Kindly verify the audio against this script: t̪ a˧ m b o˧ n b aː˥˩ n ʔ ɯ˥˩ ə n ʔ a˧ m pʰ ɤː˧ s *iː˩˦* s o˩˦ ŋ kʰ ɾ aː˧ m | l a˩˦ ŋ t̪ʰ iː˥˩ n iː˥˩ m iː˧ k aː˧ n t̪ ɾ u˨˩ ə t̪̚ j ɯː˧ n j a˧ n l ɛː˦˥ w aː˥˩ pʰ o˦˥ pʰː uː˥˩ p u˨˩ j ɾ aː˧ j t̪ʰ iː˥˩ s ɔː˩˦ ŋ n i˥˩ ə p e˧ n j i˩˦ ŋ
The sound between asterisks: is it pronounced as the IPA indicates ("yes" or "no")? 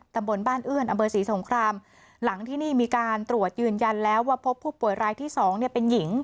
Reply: yes